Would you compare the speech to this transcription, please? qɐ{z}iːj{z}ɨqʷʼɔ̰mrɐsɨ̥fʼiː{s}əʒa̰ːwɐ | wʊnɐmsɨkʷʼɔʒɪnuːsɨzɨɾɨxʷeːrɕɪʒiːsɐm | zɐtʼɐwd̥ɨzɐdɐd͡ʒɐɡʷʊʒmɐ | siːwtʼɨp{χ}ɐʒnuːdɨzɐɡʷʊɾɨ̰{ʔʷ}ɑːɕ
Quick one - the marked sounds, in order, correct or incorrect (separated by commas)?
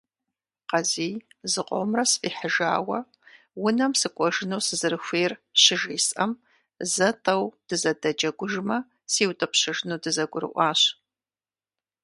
correct, correct, incorrect, incorrect, correct